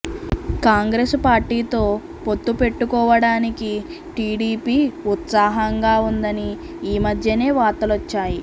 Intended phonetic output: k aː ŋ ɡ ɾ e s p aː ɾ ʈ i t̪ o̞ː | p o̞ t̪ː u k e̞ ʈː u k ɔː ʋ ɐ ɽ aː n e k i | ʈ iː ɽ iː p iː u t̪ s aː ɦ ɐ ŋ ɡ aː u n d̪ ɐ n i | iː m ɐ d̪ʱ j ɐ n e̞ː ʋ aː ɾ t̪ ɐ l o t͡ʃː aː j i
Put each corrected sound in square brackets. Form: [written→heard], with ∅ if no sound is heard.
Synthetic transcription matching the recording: k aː ŋ ɡ ɾ e s p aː ɾ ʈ [i→iː] t̪ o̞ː | p o̞ t̪ː u [k→p] e̞ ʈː u k ɔː ʋ ɐ ɽ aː n [e→i] k i | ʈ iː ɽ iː p iː u t̪ s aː ɦ ɐ ŋ ɡ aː u n d̪ ɐ n i | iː m ɐ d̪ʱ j ɐ n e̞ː ʋ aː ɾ t̪ ɐ l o t͡ʃː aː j i